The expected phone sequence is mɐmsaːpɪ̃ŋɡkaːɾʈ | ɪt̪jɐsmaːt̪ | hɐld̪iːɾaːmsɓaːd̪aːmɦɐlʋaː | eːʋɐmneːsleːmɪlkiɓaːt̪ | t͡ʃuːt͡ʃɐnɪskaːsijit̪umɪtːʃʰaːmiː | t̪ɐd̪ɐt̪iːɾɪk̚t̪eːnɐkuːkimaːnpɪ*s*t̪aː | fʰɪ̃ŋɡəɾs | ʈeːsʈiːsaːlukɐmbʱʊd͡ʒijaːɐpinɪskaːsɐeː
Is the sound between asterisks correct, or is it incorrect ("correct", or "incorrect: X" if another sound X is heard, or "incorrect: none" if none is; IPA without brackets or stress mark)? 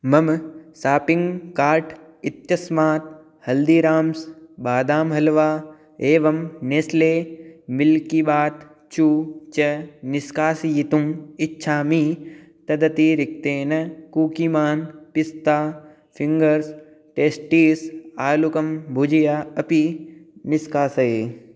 correct